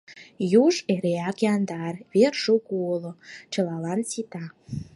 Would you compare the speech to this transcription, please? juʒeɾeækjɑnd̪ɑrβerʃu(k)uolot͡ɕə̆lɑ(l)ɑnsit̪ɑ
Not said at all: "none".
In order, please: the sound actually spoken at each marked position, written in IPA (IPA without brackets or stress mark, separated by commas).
k, l